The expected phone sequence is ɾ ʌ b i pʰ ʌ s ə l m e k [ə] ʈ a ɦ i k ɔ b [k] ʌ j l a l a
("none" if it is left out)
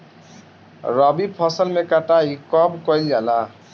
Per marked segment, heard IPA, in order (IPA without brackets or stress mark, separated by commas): a, k